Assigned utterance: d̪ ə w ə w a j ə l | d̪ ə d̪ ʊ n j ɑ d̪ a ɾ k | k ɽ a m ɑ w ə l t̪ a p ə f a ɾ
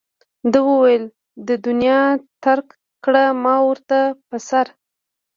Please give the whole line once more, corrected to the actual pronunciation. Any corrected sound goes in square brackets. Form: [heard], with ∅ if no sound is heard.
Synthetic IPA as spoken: d̪ ə w ə w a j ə l | d̪ ə d̪ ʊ n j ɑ [t̪] a ɾ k | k ɽ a m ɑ w ə [ɾ] t̪ a p ə [s] a ɾ